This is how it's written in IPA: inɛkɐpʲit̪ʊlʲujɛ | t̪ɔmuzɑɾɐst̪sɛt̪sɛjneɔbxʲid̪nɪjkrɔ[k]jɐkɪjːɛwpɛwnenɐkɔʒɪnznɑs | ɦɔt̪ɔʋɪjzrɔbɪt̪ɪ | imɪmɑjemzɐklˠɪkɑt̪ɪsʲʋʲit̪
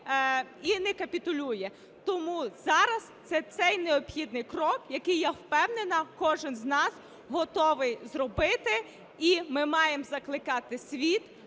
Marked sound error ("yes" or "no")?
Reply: no